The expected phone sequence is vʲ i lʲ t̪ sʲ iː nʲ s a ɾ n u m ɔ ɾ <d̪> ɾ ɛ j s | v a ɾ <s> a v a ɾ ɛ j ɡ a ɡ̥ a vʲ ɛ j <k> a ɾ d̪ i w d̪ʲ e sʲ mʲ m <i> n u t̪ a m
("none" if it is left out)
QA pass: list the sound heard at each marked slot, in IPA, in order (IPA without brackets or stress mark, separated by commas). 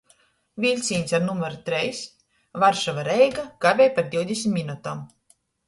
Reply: t̪, ʃ, p, i